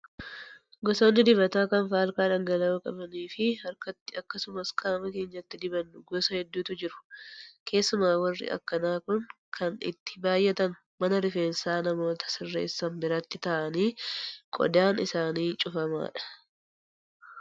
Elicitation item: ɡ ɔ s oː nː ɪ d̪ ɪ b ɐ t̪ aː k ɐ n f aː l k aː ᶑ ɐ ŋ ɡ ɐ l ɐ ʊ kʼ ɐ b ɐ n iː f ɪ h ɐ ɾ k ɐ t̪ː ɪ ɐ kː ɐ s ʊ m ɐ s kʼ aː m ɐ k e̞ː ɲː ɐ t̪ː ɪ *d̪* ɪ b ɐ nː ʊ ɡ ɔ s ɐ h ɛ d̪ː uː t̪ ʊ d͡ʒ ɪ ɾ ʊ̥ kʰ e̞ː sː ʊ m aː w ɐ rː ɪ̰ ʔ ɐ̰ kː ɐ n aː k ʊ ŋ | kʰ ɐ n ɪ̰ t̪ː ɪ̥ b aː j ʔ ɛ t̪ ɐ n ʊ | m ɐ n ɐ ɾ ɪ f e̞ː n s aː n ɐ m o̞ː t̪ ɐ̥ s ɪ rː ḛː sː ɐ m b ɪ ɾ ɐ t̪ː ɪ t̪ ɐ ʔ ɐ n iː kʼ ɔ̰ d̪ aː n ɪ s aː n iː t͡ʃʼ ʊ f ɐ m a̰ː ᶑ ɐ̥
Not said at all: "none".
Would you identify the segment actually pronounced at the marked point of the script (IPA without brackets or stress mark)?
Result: d̪